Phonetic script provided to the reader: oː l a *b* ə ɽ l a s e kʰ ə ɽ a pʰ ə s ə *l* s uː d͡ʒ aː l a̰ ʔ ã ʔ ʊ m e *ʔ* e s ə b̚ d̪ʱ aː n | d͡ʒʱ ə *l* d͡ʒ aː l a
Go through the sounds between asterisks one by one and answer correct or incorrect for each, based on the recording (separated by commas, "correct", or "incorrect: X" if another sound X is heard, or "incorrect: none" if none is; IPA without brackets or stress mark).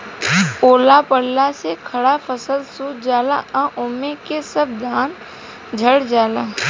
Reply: incorrect: p, correct, incorrect: k, incorrect: ɽ